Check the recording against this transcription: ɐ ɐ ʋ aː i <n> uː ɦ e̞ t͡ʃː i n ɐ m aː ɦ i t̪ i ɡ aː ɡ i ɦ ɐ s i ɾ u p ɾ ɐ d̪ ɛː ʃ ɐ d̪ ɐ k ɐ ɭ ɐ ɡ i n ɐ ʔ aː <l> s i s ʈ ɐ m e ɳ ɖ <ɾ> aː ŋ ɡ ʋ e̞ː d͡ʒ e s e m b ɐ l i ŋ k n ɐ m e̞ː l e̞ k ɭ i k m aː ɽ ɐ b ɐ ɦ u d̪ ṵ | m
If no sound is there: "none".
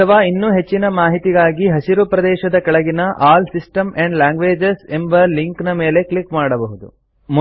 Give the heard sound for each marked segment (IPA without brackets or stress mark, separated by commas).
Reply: nː, l, l